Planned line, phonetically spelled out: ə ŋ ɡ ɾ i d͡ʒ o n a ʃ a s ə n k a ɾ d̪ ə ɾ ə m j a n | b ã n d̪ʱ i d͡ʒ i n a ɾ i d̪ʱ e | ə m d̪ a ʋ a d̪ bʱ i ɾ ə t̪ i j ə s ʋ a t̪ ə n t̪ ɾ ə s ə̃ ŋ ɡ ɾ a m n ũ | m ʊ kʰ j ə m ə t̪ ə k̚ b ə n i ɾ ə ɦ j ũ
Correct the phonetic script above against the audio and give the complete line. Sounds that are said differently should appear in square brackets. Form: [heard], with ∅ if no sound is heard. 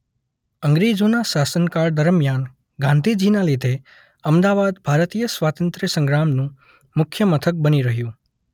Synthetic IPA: ə ŋ ɡ ɾ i d͡ʒ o n a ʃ a s ə n k a ɾ d̪ ə ɾ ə m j a n | [ɡ] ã n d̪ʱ i d͡ʒ i n a [l] i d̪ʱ e | ə m d̪ a ʋ a d̪ bʱ [a] ɾ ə t̪ i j ə s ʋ a t̪ ə n t̪ ɾ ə s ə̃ ŋ ɡ ɾ a m n ũ | m ʊ kʰ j ə m ə [t̪ʰ] ə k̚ b ə n i ɾ ə ɦ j ũ